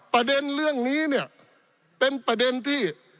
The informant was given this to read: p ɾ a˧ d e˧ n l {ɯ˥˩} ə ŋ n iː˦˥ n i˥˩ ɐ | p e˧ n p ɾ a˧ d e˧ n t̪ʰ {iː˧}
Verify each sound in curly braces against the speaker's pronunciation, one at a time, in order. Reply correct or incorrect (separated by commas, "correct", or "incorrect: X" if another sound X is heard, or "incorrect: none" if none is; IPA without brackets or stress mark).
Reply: correct, incorrect: iː˥˩